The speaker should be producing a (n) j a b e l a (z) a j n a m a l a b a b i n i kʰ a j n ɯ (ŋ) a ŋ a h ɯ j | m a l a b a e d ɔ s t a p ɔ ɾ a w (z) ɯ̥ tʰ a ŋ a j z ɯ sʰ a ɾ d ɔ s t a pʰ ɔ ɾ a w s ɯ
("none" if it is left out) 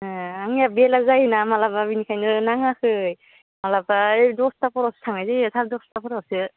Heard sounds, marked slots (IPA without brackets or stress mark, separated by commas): ŋ, z, n, s